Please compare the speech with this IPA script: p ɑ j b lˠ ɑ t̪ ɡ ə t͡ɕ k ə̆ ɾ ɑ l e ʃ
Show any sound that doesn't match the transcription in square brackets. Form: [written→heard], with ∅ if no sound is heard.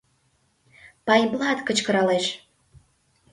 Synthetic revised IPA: p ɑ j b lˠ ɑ t̪ [ɡ→k] ə t͡ɕ k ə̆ ɾ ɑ l e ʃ